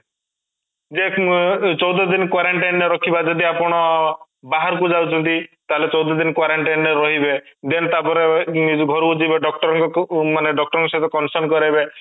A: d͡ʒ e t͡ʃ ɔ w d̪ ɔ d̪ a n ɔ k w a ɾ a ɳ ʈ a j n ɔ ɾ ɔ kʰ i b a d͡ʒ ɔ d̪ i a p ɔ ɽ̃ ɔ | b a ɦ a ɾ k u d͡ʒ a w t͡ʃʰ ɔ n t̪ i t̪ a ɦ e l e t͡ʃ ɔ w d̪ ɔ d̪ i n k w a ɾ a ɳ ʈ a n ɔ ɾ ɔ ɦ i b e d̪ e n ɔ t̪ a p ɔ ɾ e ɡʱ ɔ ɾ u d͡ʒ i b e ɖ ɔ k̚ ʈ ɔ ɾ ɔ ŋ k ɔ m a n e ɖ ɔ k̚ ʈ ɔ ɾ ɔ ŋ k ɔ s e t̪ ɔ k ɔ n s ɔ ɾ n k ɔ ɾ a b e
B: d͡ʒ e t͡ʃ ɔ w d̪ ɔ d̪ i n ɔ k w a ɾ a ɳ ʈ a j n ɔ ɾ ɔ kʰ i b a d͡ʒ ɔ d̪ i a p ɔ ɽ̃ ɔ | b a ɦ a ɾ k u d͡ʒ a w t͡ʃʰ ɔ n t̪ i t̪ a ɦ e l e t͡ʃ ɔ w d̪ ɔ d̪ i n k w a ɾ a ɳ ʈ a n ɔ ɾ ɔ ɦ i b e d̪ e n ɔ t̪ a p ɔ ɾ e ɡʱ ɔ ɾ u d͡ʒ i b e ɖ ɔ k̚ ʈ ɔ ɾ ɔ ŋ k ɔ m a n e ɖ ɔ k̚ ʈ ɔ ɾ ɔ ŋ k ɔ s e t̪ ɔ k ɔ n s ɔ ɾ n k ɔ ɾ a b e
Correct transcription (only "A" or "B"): B